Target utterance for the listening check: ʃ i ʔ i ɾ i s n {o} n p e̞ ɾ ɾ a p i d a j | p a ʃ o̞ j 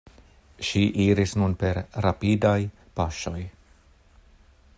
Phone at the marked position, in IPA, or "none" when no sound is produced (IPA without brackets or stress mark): u